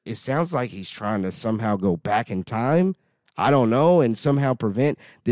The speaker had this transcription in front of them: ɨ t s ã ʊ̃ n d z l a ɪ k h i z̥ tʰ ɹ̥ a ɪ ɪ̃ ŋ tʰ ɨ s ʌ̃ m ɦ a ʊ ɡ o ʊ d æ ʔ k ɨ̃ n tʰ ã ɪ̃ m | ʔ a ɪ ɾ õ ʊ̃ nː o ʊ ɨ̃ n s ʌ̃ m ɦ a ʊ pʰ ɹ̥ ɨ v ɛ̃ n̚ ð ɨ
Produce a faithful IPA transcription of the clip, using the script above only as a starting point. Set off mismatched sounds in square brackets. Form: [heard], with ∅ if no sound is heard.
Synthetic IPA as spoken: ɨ t s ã ʊ̃ n d z l a ɪ k h i z̥ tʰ ɹ̥ a ɪ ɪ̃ ŋ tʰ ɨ s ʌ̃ m ɦ a ʊ ɡ o ʊ [b] æ [∅] k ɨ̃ n tʰ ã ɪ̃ m | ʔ a ɪ ɾ õ ʊ̃ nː o ʊ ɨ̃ n s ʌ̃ m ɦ a ʊ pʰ ɹ̥ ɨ v ɛ̃ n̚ ð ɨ